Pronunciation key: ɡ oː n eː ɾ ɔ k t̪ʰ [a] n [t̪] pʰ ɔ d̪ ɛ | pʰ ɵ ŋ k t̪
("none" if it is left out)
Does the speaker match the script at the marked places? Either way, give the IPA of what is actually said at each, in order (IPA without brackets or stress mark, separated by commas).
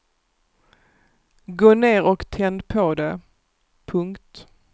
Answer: ɛ, d̪